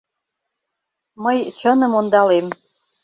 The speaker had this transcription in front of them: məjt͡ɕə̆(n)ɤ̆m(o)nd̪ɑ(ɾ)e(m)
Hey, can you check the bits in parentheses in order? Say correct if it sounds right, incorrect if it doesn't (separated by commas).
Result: correct, correct, incorrect, correct